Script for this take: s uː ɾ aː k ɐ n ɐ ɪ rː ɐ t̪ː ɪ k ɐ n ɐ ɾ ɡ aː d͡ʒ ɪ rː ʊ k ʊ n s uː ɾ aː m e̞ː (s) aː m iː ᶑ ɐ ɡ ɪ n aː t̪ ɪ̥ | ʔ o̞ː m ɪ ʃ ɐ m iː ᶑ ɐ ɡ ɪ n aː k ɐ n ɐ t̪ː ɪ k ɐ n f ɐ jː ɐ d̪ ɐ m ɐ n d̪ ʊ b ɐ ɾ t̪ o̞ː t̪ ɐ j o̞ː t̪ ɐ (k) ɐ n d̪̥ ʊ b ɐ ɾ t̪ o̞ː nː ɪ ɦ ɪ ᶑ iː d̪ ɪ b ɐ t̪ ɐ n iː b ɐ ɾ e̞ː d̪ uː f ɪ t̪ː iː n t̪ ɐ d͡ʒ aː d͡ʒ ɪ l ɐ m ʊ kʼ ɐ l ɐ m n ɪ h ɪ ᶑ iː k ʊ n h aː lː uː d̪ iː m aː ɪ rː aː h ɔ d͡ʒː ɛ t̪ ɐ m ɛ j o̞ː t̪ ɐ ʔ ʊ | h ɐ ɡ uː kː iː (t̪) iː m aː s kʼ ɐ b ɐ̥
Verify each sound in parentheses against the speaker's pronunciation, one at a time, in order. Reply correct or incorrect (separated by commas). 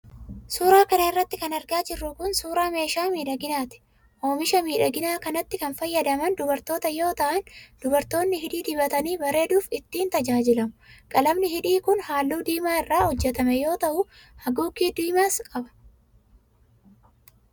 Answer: incorrect, incorrect, incorrect